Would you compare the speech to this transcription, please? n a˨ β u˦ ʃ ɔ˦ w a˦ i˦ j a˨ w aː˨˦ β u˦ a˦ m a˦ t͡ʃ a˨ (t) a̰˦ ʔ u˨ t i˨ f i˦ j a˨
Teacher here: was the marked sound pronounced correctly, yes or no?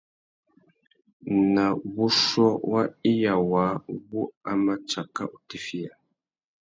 no